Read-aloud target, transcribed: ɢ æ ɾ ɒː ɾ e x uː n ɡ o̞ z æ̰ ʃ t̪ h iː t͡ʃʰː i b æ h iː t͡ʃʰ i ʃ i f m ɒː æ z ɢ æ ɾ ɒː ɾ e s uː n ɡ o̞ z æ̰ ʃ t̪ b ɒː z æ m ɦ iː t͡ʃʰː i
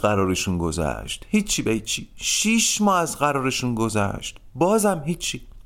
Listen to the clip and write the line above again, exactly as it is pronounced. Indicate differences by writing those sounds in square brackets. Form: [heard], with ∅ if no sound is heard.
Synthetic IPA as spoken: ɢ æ ɾ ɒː ɾ e [ʃ] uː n ɡ o̞ z æ̰ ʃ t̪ h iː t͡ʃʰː i b [e] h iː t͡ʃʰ i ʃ i [ʃ] m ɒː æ z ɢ æ ɾ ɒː ɾ e [ʃ] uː n ɡ o̞ z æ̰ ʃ t̪ b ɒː z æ m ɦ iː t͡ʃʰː i